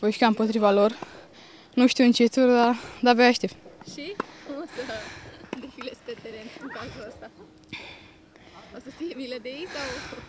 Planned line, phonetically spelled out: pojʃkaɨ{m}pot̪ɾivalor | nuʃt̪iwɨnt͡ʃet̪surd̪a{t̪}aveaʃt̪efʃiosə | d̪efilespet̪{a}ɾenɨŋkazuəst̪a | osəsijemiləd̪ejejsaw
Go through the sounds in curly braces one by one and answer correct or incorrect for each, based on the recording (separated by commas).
correct, incorrect, incorrect